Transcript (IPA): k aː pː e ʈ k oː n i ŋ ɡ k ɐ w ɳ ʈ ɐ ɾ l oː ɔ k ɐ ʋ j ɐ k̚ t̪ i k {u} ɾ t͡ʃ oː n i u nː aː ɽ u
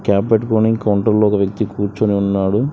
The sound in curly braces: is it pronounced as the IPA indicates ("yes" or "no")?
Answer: no